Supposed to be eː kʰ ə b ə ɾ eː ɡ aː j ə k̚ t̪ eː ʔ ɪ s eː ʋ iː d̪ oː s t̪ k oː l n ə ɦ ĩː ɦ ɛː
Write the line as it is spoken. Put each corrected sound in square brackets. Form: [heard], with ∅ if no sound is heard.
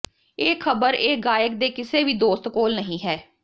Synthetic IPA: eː kʰ ə b ə ɾ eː ɡ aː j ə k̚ [d̪] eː [k] ɪ s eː ʋ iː d̪ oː s t̪ k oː l n ə ɦ ĩː ɦ ɛː